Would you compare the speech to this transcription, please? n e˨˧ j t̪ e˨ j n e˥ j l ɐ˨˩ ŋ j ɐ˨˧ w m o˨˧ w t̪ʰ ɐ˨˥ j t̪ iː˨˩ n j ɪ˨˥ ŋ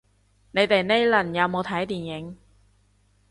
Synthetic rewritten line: n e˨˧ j t̪ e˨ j n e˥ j l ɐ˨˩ n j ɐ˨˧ w m o˨˧ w t̪ʰ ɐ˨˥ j t̪ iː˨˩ n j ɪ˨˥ ŋ